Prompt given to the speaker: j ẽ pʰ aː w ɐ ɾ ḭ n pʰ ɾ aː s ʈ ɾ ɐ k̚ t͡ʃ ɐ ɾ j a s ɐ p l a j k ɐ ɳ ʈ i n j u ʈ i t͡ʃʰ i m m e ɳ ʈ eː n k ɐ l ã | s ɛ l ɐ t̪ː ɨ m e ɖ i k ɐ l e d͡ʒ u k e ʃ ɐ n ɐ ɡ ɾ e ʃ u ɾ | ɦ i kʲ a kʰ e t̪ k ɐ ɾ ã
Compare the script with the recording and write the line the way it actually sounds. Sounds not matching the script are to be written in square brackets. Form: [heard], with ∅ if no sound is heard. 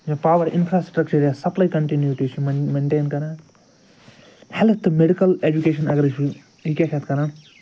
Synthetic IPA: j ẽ [p] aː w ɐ ɾ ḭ n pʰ ɾ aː s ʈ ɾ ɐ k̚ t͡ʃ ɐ ɾ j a s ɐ p l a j k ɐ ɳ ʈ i n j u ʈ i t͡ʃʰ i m m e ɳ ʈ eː n k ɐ [ɾ] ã | [h] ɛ l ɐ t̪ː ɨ m e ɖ i k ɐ l e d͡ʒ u k e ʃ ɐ n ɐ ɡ ɾ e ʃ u [∅] | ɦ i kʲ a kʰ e t̪ k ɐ ɾ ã